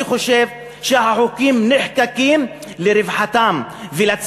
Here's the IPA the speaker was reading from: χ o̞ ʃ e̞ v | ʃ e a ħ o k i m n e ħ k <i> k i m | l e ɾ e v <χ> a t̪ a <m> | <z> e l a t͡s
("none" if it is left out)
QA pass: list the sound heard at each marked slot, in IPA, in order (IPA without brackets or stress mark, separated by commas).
a, ħ, m, v